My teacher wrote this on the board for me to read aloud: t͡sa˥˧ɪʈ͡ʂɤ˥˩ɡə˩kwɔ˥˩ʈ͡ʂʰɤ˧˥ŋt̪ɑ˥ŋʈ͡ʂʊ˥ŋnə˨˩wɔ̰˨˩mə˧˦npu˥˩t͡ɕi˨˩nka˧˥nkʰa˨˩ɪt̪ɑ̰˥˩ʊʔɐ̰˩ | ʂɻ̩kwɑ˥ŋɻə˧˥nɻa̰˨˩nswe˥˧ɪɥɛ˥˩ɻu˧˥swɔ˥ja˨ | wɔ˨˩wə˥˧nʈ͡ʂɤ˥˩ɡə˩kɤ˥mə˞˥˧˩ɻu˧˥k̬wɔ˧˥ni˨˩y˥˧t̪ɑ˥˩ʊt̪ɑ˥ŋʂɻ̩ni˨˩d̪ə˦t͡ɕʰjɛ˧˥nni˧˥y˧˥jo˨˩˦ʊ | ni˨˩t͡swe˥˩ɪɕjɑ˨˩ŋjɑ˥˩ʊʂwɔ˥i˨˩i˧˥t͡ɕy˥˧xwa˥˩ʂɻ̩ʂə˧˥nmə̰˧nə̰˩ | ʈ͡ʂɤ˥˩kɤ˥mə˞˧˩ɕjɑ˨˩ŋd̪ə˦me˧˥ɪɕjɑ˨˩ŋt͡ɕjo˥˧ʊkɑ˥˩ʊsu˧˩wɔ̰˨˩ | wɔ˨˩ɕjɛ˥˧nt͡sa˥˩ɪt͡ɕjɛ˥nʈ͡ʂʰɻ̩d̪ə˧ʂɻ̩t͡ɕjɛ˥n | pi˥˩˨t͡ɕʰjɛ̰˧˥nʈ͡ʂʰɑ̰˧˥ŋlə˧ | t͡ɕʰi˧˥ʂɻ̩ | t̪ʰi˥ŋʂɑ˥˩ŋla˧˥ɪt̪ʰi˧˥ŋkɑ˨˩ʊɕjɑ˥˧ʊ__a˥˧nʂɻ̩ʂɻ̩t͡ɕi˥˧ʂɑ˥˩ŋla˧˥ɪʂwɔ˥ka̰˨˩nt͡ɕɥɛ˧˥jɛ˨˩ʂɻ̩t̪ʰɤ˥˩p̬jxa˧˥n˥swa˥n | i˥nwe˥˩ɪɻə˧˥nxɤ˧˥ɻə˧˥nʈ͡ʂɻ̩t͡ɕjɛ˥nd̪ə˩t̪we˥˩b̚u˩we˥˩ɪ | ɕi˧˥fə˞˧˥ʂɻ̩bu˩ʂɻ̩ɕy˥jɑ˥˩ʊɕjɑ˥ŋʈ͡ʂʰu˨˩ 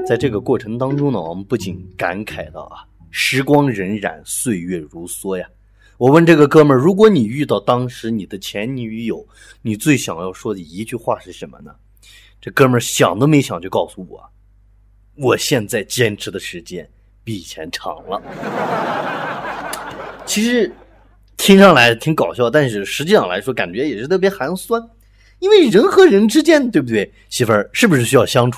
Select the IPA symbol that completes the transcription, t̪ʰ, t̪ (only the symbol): t̪